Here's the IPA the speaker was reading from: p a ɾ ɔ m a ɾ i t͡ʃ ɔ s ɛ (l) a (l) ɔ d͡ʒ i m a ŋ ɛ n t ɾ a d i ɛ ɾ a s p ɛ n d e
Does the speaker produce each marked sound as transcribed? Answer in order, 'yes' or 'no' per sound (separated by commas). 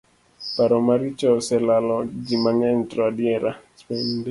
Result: yes, yes